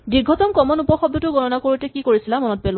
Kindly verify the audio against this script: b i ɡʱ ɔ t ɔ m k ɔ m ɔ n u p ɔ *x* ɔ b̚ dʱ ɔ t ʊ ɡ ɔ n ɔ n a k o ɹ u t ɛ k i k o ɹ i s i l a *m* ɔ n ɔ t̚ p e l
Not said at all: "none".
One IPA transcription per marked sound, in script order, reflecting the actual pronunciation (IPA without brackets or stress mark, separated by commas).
x, m